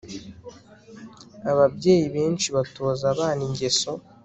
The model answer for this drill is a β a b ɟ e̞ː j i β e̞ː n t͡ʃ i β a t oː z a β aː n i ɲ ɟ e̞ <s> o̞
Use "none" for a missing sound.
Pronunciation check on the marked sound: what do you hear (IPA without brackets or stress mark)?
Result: s